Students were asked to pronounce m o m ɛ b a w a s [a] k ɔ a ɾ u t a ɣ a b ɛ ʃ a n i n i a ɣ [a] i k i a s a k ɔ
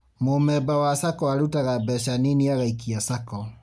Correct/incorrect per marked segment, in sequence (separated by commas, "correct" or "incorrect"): correct, correct